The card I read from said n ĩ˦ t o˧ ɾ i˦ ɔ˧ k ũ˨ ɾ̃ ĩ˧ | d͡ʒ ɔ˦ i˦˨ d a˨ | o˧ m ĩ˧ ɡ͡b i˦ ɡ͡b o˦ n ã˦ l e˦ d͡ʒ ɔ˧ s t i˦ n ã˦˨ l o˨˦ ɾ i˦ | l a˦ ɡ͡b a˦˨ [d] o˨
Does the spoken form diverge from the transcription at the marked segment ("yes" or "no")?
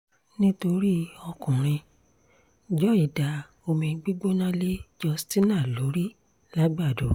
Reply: no